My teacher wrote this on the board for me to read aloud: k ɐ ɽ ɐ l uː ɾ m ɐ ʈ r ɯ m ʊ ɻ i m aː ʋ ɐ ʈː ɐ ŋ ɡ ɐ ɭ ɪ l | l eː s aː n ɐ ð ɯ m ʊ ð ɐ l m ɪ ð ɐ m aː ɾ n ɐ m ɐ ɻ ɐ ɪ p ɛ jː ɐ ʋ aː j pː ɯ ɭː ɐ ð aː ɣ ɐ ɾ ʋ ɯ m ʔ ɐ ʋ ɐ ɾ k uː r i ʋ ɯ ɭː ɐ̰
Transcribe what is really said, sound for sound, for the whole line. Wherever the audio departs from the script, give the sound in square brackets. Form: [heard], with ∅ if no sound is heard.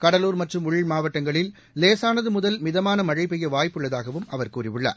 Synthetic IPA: k ɐ ɽ ɐ l uː ɾ m ɐ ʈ r ɯ m ʊ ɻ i m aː ʋ ɐ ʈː ɐ ŋ ɡ ɐ ɭ ɪ l | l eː s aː n ɐ ð ɯ m ʊ ð ɐ l m ɪ ð ɐ m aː [∅] n ɐ m ɐ ɻ ɐ ɪ p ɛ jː ɐ ʋ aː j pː ɯ ɭː ɐ ð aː ɣ ɐ [∅] ʋ ɯ m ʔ ɐ ʋ ɐ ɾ k uː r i ʋ ɯ ɭː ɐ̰